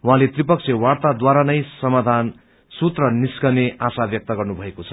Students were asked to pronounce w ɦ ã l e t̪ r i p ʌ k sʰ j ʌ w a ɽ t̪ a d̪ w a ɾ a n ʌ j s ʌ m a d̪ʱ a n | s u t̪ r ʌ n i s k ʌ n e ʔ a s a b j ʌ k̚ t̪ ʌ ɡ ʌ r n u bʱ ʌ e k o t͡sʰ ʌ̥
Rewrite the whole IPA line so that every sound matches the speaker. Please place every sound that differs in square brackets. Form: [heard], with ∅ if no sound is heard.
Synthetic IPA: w ɦ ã l e t̪ r i p ʌ k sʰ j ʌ w a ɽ t̪ a d̪ w a ɾ a n ʌ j s ʌ m a d̪ʱ a n | s u t̪ r ʌ n i s k ʌ n e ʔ a s a b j ʌ k̚ t̪ ʌ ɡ ʌ r n u bʱ ʌ e k o t͡sʰ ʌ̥